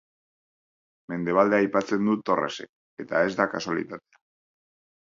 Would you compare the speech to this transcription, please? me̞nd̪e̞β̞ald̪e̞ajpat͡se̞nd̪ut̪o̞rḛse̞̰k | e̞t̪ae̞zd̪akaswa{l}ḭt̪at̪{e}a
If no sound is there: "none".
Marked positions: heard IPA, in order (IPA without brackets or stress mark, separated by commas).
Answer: l, e